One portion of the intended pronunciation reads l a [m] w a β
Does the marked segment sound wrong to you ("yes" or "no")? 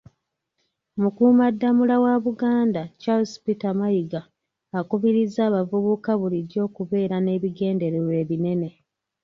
yes